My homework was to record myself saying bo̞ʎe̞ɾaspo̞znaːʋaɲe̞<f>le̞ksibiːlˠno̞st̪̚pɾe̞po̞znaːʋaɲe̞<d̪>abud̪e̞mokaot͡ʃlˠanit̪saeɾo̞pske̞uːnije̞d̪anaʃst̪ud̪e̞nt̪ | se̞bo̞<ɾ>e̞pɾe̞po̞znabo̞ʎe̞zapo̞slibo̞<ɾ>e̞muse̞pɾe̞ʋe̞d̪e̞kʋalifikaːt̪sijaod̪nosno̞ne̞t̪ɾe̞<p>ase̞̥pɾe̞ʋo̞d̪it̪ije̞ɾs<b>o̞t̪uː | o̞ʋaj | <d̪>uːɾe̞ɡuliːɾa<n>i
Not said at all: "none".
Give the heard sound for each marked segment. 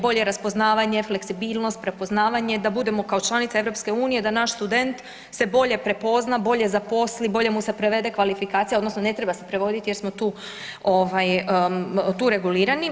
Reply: f, d̪, ʎ, ʎ, b, m, t̪, n

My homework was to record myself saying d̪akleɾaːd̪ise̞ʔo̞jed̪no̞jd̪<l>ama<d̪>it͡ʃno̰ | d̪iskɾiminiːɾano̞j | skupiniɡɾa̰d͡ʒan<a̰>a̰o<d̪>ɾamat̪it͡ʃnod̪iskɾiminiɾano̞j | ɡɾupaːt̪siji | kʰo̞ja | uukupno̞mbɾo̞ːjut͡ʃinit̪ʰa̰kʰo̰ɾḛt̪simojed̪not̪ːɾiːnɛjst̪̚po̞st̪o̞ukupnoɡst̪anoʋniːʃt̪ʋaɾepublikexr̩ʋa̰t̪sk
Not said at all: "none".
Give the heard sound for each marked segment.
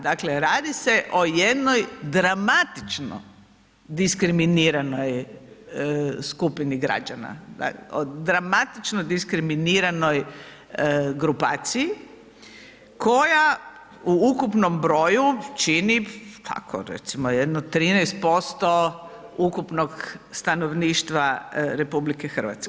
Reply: ɾ, t̪, a̰, d̪

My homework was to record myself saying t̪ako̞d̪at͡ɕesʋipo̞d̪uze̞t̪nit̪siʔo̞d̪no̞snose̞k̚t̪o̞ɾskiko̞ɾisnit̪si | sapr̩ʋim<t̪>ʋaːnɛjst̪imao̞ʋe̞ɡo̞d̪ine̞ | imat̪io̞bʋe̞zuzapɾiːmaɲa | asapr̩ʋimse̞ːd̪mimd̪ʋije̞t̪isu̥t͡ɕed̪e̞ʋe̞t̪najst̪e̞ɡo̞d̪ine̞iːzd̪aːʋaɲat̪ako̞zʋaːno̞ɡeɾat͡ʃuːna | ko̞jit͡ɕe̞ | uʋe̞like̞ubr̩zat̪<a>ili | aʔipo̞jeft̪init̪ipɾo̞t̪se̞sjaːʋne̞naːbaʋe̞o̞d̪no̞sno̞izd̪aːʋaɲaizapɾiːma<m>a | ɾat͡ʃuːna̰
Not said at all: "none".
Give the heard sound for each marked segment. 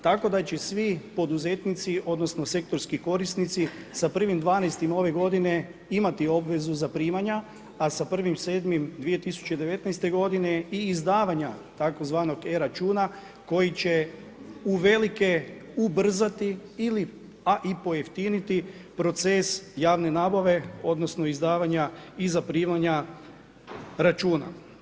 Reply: d̪, i, ɲ

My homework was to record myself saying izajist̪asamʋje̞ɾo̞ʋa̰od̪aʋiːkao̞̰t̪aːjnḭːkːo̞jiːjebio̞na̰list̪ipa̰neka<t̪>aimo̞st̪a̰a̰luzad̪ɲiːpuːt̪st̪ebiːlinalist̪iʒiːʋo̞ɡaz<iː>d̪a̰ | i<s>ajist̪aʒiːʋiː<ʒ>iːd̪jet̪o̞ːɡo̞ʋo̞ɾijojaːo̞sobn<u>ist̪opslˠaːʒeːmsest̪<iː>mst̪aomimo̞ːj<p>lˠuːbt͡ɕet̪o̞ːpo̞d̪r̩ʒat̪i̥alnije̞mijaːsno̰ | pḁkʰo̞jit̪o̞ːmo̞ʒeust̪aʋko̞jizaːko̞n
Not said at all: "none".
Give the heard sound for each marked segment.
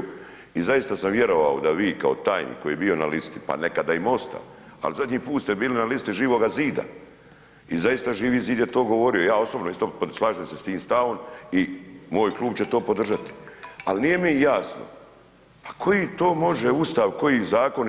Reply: d̪, iː, z, z, o, iː, k

